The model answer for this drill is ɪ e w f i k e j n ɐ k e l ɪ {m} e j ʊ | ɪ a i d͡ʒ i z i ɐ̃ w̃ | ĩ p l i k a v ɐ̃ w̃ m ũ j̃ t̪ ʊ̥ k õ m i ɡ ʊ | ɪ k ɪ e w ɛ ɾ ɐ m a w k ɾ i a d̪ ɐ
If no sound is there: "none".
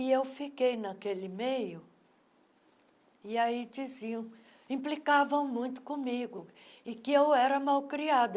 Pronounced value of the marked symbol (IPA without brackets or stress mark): m